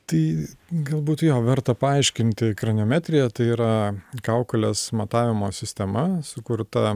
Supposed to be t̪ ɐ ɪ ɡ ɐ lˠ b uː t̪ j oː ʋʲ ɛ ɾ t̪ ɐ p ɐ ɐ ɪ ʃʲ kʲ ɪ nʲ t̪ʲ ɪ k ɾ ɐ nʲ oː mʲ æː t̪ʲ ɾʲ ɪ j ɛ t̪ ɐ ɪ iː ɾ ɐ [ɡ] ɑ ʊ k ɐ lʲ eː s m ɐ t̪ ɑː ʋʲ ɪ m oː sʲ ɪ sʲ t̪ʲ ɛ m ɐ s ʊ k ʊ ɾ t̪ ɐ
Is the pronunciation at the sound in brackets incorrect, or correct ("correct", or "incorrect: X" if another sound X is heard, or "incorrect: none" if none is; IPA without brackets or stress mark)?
incorrect: k